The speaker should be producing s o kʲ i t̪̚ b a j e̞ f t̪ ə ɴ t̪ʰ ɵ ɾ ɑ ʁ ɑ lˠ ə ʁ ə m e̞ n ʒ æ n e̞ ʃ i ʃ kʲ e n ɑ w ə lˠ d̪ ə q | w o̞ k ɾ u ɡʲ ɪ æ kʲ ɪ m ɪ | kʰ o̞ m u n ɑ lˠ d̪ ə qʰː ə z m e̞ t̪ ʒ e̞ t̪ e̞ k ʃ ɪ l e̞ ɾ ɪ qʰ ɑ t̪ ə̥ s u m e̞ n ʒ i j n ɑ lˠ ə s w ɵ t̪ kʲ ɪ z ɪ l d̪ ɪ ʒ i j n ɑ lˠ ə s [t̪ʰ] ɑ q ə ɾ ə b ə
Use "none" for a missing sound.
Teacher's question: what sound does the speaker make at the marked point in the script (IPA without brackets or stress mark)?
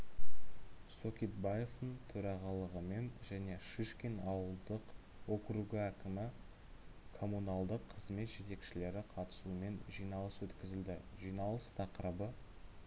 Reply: t̪ʰ